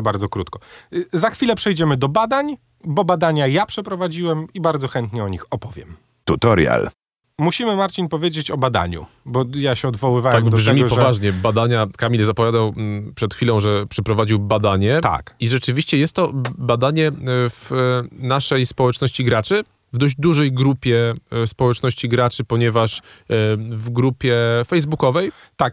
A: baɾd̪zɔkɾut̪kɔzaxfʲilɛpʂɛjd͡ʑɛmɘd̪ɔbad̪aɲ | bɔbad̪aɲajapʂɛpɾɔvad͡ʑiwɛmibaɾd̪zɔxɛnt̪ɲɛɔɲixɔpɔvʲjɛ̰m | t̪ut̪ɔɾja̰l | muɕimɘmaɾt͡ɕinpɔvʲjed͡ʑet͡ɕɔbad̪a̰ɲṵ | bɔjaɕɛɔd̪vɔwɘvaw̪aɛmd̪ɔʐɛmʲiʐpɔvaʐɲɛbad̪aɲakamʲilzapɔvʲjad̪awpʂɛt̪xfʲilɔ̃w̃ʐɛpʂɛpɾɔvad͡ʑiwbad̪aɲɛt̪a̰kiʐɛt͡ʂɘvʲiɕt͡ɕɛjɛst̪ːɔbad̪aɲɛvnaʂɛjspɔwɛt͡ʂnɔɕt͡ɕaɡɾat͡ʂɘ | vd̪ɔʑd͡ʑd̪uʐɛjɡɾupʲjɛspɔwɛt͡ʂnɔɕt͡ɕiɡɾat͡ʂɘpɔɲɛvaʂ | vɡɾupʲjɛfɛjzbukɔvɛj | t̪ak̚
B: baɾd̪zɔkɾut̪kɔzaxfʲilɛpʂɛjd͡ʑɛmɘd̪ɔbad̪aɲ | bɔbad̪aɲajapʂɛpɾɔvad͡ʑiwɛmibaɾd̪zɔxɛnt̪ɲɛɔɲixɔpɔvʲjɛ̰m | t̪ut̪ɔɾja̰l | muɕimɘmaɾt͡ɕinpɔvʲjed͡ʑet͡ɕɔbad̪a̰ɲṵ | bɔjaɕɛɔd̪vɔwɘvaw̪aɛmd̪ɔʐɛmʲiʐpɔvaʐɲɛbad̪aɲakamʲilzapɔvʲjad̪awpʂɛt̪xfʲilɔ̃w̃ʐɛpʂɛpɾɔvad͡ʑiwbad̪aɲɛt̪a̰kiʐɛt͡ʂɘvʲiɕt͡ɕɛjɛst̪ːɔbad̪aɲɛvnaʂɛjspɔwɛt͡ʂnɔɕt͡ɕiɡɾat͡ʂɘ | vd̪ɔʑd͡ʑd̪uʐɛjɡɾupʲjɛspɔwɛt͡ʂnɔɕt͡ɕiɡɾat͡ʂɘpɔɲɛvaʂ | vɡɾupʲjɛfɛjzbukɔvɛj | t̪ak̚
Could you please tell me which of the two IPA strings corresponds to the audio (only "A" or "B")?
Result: B